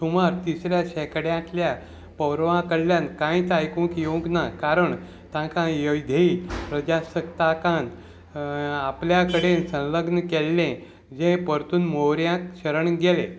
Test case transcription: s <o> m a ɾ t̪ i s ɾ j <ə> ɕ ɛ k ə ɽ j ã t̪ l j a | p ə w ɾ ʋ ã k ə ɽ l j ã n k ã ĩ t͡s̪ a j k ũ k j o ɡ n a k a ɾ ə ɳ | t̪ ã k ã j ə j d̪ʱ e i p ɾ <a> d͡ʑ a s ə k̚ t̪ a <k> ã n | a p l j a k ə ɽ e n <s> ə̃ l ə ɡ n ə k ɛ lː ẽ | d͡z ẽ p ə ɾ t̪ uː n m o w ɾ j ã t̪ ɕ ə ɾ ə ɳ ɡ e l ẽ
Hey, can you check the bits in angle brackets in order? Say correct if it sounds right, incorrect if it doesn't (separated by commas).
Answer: incorrect, incorrect, incorrect, correct, correct